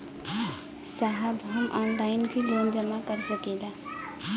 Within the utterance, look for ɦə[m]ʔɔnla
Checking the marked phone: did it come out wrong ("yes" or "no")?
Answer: no